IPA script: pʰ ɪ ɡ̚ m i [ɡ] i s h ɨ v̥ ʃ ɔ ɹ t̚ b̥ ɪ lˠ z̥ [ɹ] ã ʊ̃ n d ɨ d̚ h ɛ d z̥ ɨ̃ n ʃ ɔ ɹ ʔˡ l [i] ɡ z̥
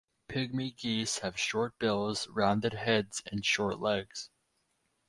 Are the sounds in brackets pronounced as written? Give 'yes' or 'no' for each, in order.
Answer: yes, yes, no

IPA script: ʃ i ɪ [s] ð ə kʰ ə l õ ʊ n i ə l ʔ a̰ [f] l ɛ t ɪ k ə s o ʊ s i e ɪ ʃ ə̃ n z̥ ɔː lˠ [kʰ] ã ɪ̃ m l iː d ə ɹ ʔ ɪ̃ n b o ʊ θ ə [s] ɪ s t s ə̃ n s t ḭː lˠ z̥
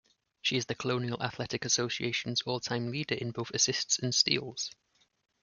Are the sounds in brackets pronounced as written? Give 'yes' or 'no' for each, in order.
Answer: no, no, no, yes

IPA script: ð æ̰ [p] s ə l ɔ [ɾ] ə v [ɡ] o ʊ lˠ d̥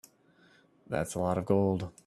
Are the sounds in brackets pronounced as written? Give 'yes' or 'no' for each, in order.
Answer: no, yes, yes

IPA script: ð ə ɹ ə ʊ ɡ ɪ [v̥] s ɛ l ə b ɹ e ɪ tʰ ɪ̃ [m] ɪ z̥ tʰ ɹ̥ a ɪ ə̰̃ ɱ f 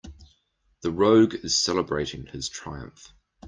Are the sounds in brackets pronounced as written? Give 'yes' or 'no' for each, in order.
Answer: no, no

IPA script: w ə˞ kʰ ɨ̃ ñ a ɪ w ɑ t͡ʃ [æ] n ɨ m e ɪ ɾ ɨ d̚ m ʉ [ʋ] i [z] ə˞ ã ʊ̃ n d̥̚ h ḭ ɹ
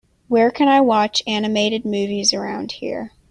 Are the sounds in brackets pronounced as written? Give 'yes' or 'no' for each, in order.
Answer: yes, no, yes

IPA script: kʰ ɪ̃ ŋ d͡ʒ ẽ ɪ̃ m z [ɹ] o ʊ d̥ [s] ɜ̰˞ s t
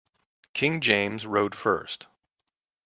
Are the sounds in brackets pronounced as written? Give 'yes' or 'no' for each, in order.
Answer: yes, no

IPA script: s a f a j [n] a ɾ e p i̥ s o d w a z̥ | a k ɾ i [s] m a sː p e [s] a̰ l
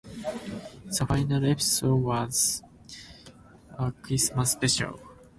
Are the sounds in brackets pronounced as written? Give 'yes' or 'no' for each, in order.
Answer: yes, yes, no

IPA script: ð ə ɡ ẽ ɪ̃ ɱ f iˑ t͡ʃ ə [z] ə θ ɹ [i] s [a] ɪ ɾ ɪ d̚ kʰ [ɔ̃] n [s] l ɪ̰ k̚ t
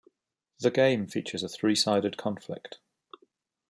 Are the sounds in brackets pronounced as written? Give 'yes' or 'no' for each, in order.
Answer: yes, no, yes, no, no

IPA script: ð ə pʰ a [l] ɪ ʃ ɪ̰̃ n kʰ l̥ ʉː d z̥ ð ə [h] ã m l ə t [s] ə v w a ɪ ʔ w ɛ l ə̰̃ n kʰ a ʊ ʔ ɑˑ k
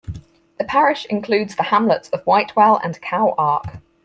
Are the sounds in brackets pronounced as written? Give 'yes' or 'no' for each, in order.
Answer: no, yes, yes

